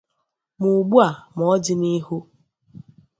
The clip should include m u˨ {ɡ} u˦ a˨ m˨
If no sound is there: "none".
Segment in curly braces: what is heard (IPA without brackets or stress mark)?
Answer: ɡ͡b